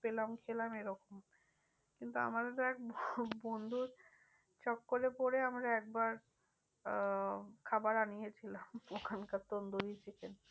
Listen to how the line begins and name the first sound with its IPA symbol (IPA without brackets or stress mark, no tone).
p